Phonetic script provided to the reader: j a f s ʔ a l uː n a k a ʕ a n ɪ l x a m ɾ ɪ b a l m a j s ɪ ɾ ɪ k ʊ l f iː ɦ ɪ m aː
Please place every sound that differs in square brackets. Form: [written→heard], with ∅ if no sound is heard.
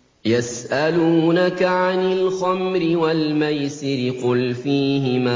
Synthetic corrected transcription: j a [f→∅] s ʔ a l uː n a k a ʕ a n ɪ l x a m ɾ ɪ [b→w] a l m a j s ɪ ɾ ɪ [k→q] ʊ l f iː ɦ ɪ m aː